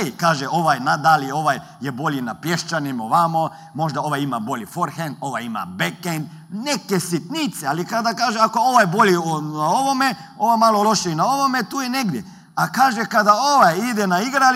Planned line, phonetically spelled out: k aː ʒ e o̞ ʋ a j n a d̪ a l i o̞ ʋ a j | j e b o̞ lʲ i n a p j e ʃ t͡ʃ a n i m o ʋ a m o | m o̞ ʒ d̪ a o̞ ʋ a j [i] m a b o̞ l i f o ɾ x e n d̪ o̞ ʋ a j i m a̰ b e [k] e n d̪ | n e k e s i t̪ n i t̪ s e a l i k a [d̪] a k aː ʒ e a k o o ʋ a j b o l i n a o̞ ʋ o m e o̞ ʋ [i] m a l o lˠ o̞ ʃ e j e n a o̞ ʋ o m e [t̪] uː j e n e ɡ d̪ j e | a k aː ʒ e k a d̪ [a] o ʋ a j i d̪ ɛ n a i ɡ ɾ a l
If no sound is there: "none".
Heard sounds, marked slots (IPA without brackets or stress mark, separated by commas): i, k, d̪, a, t̪, a